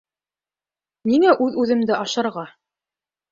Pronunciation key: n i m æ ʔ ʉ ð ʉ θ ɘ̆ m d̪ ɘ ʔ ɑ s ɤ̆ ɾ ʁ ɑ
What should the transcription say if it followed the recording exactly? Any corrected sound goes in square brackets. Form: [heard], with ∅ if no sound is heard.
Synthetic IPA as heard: n i [ŋ] æ ʔ ʉ ð ʉ [ð] ɘ̆ m d̪ ɘ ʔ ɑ [ʃ] ɤ̆ ɾ ʁ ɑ